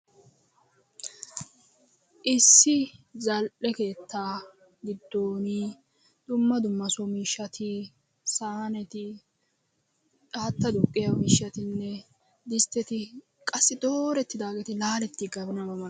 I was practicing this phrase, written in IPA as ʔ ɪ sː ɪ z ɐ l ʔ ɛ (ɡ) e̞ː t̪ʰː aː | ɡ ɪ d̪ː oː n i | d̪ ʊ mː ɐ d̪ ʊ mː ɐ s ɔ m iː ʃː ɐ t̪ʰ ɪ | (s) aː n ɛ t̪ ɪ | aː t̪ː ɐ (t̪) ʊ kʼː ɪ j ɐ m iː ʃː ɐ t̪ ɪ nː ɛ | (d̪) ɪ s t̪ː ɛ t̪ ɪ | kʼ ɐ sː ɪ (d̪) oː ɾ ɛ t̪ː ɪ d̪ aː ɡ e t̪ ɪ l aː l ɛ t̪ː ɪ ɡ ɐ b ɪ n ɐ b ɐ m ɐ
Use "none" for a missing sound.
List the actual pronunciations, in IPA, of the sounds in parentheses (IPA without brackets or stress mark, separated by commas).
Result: k, s, d̪, d̪, d̪